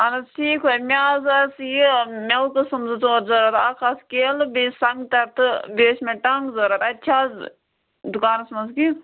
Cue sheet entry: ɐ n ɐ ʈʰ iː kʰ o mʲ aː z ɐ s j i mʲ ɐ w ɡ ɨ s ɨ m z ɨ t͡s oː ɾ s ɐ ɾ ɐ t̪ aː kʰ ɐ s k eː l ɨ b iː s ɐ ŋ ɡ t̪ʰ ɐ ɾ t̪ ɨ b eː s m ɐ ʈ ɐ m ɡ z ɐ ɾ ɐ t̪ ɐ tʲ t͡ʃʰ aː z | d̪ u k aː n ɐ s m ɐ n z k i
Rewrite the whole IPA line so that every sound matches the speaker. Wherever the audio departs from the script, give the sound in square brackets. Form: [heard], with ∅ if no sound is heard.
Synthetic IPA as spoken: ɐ n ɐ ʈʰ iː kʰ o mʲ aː z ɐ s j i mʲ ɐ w [k] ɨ s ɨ m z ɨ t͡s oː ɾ [z] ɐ ɾ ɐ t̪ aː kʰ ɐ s k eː l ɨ b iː s ɐ ŋ ɡ [t̪] ɐ ɾ t̪ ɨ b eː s m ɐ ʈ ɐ [ŋ] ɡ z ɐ ɾ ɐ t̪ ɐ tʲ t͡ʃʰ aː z | d̪ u k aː n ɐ s m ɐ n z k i